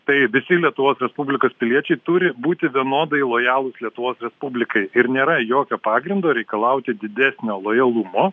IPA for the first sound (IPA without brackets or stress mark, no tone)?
t̪